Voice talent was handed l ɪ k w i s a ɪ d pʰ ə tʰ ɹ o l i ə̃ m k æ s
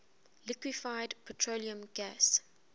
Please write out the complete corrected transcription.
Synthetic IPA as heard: l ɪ k w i f a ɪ d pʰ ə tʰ ɹ o l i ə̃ m ɡ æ s